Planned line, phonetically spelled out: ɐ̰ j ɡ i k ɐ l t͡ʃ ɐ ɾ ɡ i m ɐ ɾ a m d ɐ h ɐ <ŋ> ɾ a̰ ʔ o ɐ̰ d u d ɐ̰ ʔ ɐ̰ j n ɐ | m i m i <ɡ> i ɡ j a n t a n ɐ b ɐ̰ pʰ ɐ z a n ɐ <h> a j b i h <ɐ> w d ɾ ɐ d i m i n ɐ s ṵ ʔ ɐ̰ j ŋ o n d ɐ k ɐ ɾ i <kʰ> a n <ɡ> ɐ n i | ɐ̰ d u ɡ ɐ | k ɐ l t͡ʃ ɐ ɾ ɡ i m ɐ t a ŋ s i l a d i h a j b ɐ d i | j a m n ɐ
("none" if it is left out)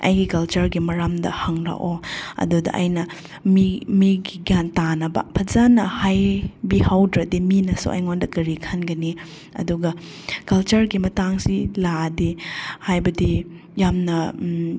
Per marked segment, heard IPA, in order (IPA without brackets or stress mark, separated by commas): ŋ, ɡ, h, a, kʰ, ɡ